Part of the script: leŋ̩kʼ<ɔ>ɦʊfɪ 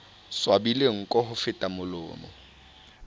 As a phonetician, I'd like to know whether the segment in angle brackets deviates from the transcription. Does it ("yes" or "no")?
no